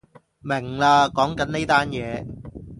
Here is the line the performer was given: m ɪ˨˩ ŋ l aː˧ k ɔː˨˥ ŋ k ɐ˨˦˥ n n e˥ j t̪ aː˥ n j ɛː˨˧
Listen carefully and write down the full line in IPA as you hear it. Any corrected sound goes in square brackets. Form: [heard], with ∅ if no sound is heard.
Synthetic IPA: m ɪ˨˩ ŋ l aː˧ k ɔː˨˥ ŋ k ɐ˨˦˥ n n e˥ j t̪ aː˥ n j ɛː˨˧

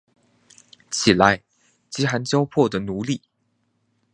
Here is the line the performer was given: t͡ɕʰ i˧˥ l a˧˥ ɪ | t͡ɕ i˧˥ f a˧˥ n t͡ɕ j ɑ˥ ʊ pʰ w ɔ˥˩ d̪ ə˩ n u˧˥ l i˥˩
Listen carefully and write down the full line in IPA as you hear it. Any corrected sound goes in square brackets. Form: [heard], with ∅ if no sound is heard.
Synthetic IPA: t͡ɕʰ [i˨˩] l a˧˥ ɪ | t͡ɕ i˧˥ [x] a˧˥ n t͡ɕ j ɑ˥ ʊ pʰ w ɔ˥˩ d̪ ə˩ n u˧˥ l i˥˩

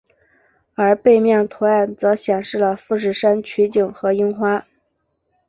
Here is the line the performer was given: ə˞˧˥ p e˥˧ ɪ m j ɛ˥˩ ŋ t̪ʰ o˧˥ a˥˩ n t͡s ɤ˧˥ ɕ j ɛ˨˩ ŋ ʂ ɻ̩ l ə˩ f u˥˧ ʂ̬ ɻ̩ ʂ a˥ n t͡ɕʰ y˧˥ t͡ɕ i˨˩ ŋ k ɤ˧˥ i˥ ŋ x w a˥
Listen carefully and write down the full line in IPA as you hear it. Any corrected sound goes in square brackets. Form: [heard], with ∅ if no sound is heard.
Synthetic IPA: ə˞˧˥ p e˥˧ ɪ m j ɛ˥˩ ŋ t̪ʰ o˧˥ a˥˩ n t͡s ɤ˧˥ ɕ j ɛ˨˩ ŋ ʂ ɻ̩ l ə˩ f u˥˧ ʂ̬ ɻ̩ ʂ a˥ n t͡ɕʰ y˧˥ t͡ɕ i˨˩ ŋ [x] ɤ˧˥ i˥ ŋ x w a˥

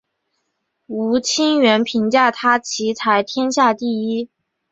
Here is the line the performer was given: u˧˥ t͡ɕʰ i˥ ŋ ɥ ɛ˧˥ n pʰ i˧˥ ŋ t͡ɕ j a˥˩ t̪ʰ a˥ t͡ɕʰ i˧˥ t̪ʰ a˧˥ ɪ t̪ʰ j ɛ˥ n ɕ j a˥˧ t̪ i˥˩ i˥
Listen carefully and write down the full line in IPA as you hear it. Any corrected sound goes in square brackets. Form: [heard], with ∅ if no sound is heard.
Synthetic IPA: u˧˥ t͡ɕʰ i˥ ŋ ɥ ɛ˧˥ n pʰ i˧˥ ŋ t͡ɕ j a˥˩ t̪ʰ a˥ t͡ɕʰ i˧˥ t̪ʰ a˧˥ ɪ t̪ʰ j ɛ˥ n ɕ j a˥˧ t̪ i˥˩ i˥

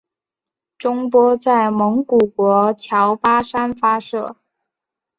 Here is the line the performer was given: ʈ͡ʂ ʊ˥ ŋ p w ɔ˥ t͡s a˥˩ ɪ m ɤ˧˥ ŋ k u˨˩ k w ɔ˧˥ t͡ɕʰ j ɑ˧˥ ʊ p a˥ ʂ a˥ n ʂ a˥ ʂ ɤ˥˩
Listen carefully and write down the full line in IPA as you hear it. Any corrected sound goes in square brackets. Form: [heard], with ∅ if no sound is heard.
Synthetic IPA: ʈ͡ʂ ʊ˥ ŋ p w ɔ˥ t͡s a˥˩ ɪ m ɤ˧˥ ŋ k u˨˩ k w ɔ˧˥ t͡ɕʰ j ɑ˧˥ ʊ p a˥ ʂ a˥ n [f] a˥ ʂ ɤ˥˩

